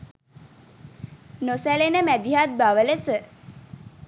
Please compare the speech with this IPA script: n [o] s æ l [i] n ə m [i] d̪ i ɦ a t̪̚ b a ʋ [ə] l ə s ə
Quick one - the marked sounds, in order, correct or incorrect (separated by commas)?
correct, incorrect, incorrect, correct